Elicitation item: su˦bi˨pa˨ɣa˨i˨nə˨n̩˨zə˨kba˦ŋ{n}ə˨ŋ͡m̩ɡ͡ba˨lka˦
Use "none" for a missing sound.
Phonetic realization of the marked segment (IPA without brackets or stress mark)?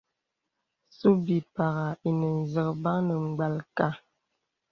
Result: n